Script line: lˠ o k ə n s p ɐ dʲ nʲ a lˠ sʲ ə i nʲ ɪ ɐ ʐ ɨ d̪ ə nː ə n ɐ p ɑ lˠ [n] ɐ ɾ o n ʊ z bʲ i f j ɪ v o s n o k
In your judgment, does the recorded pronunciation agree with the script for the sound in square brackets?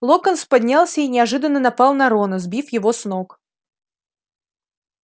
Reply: yes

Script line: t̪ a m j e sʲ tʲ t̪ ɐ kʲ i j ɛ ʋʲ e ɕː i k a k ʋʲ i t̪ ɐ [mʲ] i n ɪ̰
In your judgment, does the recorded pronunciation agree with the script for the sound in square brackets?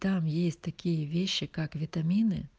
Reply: yes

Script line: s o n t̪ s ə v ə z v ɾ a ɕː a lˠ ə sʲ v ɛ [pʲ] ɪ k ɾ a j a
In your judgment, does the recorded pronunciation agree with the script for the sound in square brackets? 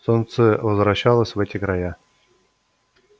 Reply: no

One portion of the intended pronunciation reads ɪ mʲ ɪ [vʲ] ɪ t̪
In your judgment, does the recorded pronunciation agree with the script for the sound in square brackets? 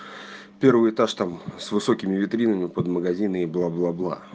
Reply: yes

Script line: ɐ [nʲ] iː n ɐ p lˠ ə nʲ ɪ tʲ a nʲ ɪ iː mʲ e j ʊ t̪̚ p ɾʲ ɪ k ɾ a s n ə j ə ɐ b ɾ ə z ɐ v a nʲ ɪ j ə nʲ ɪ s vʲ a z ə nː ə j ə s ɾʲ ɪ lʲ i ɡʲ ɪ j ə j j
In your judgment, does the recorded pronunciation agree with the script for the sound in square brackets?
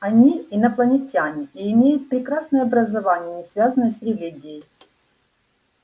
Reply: yes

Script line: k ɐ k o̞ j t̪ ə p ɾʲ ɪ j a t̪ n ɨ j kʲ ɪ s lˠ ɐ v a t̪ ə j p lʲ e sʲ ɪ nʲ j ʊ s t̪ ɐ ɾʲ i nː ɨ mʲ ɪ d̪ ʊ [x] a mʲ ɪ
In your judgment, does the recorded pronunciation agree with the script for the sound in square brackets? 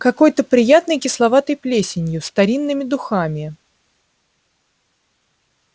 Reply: yes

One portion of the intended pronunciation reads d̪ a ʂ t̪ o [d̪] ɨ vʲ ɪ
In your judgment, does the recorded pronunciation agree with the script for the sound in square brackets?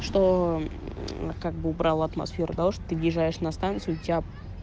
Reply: no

